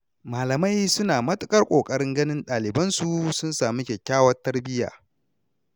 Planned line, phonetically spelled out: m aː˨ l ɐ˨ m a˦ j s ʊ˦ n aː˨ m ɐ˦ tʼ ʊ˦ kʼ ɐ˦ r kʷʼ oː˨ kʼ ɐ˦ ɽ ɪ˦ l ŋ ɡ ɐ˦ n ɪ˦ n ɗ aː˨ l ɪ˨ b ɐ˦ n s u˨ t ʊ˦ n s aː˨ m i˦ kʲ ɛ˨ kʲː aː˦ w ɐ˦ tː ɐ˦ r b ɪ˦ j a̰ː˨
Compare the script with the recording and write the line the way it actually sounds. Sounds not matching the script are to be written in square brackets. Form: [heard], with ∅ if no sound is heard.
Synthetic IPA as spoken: m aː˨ l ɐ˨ m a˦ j s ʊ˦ n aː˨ m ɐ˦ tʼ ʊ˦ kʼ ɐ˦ r kʷʼ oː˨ kʼ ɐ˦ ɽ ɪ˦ [∅] ŋ ɡ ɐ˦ n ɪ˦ n ɗ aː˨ l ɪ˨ b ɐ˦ n s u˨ [s] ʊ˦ n s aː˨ m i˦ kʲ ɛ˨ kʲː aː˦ w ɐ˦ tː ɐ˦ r b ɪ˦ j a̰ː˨

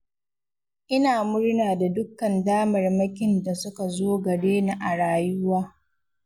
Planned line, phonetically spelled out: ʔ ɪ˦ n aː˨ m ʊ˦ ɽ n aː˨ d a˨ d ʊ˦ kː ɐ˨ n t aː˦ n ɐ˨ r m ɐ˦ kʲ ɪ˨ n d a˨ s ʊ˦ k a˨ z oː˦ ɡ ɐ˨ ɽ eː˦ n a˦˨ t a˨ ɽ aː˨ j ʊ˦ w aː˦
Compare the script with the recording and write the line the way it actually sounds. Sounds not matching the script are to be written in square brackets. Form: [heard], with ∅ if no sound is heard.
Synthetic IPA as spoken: ʔ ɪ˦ n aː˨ m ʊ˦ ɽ n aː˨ d a˨ d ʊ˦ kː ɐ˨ n [d] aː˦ [m] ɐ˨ r m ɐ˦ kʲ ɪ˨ n d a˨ s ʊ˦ k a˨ z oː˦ ɡ ɐ˨ ɽ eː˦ n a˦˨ [ʔ] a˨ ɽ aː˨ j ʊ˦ w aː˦

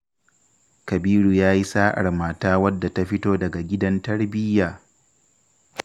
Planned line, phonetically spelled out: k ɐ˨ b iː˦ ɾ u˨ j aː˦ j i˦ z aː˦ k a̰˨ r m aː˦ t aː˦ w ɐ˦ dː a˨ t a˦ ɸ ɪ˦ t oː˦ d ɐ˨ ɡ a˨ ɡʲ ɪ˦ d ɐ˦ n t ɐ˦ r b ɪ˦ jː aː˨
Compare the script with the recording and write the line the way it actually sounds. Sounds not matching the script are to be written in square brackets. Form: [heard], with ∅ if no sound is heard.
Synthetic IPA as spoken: k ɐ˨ b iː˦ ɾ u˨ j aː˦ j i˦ [s] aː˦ [ʔ] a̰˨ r m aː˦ t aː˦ w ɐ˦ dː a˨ t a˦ ɸ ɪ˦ t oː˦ d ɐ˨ ɡ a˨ ɡʲ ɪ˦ d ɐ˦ n t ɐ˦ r b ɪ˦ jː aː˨

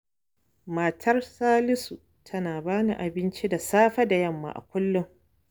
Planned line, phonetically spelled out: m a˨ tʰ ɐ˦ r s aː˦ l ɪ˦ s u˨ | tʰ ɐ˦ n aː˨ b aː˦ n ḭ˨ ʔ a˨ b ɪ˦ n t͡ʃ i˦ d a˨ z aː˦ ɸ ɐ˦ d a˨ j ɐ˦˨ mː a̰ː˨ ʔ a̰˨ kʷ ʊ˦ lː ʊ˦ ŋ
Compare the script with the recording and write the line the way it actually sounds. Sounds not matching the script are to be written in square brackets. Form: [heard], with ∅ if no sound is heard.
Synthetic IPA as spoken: m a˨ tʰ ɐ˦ r s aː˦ l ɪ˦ s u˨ | tʰ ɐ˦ n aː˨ b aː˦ n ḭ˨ ʔ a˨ b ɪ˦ n t͡ʃ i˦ d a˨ [s] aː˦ ɸ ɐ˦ d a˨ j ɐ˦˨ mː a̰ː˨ ʔ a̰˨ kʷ ʊ˦ lː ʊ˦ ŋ

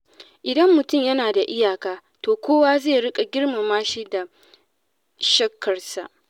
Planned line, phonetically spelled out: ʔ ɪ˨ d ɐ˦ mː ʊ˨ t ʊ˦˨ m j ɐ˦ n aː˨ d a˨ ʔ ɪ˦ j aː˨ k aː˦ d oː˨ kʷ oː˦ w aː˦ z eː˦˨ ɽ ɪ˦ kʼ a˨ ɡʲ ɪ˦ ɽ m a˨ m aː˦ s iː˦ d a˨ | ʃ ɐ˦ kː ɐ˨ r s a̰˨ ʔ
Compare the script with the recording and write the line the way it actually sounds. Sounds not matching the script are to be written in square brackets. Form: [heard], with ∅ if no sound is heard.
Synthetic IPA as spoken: ʔ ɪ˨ d ɐ˦ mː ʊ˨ t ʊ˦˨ m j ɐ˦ n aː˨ d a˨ ʔ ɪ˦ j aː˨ k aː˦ [t] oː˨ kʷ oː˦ w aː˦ z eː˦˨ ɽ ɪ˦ kʼ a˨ ɡʲ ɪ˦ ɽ m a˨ m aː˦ [ʃ] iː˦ d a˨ | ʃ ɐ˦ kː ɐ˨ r s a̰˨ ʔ

